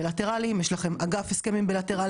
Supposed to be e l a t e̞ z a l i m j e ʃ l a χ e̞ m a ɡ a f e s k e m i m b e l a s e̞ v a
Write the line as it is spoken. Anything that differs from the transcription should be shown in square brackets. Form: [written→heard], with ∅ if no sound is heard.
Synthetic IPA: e l a t e̞ [z→ʁ] a l i m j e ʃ l a χ e̞ m a ɡ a f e s k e m i m b e l a [s→t] e̞ [v→ʁ] a